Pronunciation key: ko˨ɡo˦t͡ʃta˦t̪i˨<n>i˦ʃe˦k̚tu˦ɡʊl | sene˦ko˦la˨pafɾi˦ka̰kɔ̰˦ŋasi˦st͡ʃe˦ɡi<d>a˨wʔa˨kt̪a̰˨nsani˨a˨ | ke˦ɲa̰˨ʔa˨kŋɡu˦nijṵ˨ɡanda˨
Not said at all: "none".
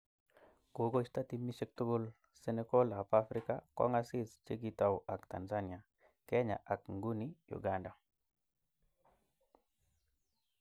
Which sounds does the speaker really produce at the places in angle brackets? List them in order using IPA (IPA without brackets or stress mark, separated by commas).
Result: m, t